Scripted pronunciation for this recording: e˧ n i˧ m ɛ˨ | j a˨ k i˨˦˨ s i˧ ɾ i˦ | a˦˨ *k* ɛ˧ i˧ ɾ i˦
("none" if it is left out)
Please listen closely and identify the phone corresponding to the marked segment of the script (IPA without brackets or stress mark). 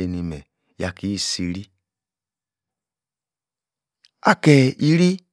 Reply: k